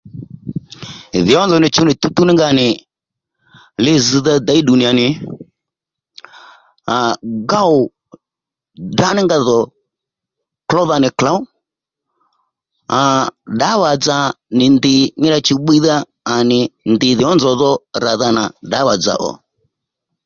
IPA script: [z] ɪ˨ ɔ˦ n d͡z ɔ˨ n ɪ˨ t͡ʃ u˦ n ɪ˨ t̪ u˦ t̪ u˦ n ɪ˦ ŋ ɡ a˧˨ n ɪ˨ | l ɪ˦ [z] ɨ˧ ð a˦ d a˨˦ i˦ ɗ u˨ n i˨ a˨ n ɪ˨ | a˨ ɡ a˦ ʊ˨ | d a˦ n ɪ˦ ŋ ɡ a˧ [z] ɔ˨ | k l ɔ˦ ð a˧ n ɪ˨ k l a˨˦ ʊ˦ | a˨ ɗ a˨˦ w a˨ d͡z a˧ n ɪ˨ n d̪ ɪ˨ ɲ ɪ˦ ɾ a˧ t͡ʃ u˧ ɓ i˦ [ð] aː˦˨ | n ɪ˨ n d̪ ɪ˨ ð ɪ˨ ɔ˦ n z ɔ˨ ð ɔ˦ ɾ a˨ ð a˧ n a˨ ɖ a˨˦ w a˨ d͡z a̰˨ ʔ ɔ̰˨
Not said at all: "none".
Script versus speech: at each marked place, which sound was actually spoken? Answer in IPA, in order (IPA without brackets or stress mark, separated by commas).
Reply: ð, z, ð, ð